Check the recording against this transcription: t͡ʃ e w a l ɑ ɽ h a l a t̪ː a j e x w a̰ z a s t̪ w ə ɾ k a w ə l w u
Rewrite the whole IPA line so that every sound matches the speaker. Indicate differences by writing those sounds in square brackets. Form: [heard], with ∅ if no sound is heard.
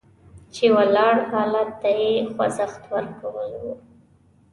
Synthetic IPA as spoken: t͡ʃ e w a l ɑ ɽ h [ɑ] l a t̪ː a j e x w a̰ z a [x] t̪ w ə ɾ k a w ə l w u

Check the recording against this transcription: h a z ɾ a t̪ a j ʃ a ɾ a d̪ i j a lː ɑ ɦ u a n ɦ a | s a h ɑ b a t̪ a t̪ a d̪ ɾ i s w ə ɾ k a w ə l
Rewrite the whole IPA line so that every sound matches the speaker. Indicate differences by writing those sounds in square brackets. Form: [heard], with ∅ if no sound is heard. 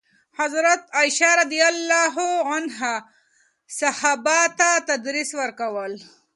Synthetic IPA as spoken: h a z ɾ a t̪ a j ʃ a ɾ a d̪ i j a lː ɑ ɦ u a n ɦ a | s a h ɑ b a t̪ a t̪ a d̪ ɾ i s w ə ɾ k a w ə l

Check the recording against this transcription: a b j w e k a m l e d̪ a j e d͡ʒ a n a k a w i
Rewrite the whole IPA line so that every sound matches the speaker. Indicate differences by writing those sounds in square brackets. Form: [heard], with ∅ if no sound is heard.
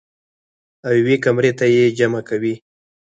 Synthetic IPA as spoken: a [w] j w e k a m [ɾ] e [t̪] a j e d͡ʒ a [m] a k a w i

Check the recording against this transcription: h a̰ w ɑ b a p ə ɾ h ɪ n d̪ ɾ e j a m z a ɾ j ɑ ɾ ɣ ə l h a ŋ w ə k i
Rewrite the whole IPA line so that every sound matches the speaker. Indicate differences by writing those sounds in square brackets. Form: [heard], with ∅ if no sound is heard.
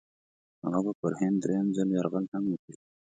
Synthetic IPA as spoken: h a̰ [ɣ] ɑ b a p ə ɾ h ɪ n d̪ ɾ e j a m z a [l] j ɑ ɾ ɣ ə l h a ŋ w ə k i

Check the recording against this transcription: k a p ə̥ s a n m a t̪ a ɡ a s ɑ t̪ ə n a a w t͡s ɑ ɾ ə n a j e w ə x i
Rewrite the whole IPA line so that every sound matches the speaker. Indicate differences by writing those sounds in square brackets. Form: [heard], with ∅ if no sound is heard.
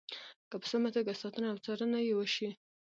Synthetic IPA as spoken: k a p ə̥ s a [∅] m a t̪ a ɡ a s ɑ t̪ ə n a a w t͡s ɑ ɾ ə n a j e w ə [ʃ] i

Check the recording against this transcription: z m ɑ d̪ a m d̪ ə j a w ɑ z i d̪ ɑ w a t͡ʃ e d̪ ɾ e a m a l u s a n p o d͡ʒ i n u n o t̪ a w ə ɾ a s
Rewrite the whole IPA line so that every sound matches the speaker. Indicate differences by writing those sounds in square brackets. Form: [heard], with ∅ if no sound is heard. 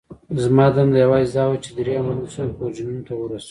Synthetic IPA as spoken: z m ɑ d̪ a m d̪ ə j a w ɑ z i d̪ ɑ w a t͡ʃ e d̪ ɾ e a m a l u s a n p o d͡ʒ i n u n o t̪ a w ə ɾ a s

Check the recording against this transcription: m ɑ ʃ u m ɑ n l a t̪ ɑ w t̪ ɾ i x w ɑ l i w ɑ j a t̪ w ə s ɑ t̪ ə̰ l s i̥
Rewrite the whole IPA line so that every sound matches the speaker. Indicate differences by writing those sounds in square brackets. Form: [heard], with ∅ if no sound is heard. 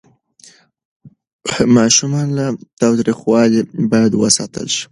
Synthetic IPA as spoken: m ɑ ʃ u m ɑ n l a t̪ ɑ w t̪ ɾ i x w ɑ l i [b] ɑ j a [d̪] w ə s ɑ t̪ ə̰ l [ʃ] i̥

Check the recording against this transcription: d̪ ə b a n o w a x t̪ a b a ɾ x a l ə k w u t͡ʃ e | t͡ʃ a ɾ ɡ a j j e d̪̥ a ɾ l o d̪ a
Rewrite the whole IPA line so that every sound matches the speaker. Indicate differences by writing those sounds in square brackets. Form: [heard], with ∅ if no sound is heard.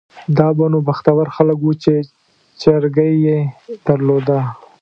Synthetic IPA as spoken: d̪ [ɑ] b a n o [b] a x t̪ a [w] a ɾ x a l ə k w u t͡ʃ e | t͡ʃ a ɾ ɡ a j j e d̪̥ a ɾ l o d̪ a

